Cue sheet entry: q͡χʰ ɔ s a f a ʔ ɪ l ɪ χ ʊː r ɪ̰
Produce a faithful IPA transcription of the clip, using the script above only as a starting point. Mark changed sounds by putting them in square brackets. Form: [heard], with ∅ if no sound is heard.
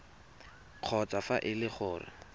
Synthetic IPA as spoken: q͡χʰ ɔ [t͡s] a f a ʔ ɪ l ɪ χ ʊː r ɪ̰

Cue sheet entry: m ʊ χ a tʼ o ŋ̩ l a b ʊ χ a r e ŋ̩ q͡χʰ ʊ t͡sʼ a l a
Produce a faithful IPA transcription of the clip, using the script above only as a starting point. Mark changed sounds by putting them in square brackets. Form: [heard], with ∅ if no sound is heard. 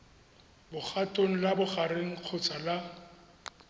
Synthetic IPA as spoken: [b] ʊ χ a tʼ o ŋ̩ l a b ʊ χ a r e ŋ̩ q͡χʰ ʊ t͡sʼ a l a

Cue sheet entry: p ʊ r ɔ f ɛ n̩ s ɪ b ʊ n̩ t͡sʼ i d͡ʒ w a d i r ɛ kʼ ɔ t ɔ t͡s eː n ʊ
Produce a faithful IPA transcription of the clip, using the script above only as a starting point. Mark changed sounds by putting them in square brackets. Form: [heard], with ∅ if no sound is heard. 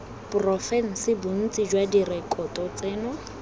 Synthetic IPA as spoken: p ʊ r ɔ f ɛ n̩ s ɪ b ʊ n̩ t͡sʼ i d͡ʒ w a d i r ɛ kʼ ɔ t ɔ t͡s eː n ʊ

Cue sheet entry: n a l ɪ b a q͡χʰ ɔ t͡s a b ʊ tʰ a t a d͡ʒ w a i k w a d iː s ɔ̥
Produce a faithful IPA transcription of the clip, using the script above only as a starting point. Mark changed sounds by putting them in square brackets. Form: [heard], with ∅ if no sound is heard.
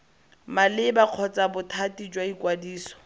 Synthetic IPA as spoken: [m] a l ɪ b a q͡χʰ ɔ t͡s a b ʊ tʰ a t [i] d͡ʒ w a i k w a d iː s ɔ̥

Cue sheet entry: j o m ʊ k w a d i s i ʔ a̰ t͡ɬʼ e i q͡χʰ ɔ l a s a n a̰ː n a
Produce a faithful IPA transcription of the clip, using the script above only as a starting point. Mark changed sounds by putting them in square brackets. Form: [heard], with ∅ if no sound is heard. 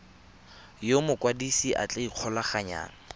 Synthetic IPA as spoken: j o m ʊ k w a d i s i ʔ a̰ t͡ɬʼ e i q͡χʰ ɔ l a [χ] a [ɲ] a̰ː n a

